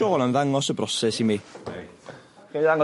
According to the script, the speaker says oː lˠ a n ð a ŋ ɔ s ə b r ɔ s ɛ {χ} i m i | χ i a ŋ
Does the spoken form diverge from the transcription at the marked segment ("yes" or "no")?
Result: yes